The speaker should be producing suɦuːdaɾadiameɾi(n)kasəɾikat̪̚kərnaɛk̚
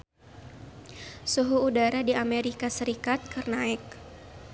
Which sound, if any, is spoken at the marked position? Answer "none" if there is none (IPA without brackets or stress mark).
none